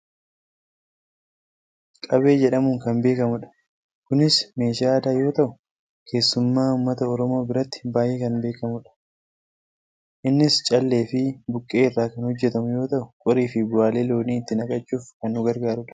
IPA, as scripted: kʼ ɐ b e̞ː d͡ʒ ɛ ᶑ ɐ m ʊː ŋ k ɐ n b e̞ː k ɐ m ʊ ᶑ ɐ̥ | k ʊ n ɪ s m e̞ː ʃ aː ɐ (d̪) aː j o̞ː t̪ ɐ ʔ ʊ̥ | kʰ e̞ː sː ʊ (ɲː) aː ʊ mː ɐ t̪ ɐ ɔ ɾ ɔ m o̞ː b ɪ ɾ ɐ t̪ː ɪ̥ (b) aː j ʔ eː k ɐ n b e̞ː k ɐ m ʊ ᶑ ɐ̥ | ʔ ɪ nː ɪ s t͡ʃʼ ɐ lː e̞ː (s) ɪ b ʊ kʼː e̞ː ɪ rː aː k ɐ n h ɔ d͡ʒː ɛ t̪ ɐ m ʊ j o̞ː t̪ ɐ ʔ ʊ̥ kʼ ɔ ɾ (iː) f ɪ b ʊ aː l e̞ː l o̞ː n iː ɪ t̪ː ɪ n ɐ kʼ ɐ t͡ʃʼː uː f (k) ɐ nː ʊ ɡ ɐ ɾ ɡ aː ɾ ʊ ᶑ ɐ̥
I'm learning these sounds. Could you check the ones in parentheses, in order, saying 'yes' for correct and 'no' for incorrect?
yes, no, yes, no, yes, yes

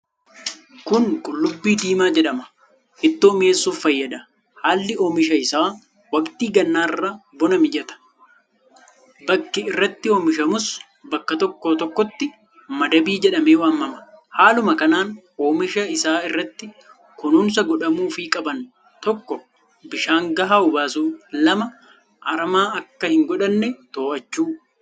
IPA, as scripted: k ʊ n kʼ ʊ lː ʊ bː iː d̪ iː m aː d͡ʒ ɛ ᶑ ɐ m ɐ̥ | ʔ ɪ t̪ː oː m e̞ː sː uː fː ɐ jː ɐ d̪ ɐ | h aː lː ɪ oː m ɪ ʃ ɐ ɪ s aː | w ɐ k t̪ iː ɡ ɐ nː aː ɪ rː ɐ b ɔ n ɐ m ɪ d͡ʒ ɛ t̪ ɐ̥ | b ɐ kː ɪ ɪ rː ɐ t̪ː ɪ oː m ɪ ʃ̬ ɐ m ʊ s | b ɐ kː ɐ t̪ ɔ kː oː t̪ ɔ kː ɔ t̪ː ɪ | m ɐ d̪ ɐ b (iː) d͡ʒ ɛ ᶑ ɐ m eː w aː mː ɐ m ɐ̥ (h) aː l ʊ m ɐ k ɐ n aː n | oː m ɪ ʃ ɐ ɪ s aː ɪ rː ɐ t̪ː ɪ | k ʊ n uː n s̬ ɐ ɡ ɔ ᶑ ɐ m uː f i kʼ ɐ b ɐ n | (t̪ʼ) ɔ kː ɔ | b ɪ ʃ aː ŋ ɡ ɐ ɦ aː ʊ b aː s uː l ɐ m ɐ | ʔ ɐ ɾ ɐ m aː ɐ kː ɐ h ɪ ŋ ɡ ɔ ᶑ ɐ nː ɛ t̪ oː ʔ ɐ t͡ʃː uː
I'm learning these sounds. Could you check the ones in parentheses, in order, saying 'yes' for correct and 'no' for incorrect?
yes, yes, no

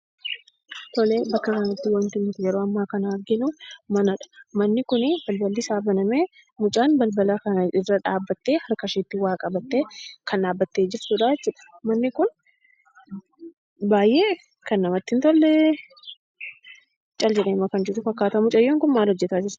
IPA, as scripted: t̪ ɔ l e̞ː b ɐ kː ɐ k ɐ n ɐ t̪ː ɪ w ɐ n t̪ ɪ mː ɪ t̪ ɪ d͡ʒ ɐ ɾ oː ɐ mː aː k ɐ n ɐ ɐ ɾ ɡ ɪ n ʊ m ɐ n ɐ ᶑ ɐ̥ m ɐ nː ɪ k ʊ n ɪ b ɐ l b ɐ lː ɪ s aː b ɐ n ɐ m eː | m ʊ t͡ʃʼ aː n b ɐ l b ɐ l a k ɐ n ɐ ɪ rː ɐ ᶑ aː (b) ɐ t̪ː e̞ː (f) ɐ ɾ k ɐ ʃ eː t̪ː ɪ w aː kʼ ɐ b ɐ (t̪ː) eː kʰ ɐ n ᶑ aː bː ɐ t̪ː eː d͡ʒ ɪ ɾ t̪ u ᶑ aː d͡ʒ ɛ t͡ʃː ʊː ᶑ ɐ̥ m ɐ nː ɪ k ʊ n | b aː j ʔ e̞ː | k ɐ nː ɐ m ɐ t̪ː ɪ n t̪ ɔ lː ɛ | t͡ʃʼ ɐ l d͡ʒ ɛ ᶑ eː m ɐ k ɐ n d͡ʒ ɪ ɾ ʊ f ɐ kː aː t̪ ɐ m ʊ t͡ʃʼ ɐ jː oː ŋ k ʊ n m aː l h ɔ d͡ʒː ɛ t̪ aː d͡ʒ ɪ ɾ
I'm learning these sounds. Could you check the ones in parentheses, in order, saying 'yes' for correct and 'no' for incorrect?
no, no, yes

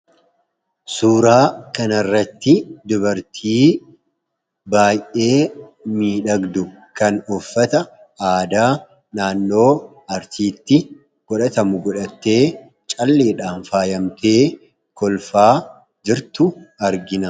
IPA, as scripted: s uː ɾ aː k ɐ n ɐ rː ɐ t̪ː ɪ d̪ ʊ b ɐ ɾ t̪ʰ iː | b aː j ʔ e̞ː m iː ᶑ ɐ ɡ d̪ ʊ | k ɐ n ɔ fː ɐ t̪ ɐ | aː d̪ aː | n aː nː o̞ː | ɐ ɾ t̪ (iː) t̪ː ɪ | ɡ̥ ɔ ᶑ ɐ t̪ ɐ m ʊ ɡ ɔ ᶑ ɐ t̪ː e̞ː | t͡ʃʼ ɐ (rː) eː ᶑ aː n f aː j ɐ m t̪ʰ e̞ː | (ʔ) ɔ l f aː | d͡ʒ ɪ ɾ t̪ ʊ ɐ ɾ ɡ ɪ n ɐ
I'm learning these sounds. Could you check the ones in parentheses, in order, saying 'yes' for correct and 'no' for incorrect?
yes, no, no

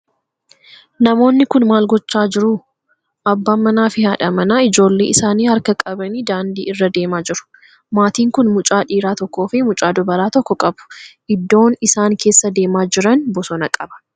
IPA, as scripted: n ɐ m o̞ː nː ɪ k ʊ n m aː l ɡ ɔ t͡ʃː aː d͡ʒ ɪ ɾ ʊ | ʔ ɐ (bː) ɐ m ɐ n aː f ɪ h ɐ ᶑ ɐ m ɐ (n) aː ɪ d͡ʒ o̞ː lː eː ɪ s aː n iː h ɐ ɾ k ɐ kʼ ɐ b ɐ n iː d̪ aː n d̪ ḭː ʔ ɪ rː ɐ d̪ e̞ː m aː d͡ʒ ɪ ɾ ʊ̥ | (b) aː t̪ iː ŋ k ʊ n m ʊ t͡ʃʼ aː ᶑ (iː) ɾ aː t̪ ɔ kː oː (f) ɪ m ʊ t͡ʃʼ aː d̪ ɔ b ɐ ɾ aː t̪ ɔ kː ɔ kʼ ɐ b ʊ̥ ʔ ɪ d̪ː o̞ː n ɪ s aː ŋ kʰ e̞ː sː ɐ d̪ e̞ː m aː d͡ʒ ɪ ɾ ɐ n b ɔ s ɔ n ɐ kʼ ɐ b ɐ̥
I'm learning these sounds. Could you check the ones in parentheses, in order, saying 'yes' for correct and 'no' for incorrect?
yes, yes, no, yes, yes

